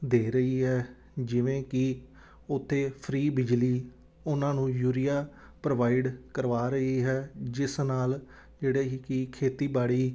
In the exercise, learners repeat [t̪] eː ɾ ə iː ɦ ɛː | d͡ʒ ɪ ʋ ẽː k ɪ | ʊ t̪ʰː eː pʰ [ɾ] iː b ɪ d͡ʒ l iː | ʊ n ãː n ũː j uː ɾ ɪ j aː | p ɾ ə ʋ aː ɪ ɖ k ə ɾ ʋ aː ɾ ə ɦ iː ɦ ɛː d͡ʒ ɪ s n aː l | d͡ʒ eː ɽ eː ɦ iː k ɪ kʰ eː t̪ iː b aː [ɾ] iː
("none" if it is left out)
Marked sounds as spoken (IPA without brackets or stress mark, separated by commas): d̪, ɾ, ɽ